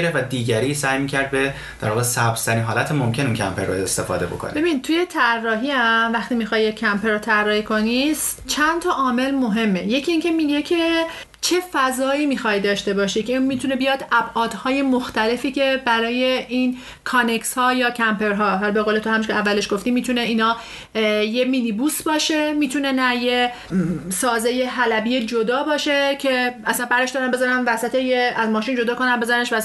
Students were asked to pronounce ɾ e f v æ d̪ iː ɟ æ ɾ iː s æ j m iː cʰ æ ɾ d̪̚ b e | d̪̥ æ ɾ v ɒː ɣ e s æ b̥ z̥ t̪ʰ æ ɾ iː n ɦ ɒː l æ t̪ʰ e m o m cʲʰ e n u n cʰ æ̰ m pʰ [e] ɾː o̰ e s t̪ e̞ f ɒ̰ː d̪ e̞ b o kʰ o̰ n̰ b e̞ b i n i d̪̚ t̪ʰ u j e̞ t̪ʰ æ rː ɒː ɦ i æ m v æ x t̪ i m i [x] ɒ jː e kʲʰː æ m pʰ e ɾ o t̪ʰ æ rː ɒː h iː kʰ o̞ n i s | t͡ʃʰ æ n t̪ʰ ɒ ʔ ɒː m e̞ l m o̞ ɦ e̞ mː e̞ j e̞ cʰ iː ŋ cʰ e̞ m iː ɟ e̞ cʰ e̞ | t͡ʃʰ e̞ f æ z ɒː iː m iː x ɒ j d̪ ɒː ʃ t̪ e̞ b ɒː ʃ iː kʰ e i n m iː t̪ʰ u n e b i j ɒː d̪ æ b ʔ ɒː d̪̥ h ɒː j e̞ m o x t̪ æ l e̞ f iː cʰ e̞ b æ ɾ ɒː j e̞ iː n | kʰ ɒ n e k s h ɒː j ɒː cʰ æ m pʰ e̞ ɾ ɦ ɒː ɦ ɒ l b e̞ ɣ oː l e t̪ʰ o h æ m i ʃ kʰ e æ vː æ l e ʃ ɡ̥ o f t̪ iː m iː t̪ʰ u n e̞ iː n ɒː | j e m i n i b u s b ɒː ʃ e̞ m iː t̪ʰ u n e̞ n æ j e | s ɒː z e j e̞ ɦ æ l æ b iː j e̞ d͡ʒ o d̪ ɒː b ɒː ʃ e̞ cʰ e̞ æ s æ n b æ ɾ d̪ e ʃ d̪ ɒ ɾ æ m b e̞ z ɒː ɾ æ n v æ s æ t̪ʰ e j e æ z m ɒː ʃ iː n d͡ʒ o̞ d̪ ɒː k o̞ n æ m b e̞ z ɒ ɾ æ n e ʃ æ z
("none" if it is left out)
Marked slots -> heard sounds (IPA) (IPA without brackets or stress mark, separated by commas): e, x